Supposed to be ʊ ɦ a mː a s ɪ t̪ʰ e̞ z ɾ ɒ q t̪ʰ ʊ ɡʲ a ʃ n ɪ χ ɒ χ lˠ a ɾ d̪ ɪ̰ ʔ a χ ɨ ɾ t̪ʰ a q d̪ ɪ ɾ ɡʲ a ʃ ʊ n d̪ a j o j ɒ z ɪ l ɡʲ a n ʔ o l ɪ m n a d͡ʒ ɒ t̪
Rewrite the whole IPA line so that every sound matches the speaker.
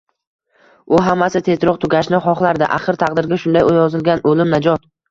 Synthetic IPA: ʊ ɦ a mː a s ɪ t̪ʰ e̞ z ɾ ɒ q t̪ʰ ʊ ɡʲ a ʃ n ɪ χ ɒ χ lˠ a ɾ d̪ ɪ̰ ʔ a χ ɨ ɾ t̪ʰ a q d̪ ɪ ɾ ɡʲ a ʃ ʊ n d̪ a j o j ɒ z ɪ l ɡʲ a n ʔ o l ɪ m n a d͡ʒ ɒ t̪